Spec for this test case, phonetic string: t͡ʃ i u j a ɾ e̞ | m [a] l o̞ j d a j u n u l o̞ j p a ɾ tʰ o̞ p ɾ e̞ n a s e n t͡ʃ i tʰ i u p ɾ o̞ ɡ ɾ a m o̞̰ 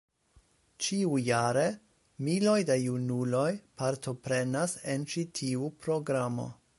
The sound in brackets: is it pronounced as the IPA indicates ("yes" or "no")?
no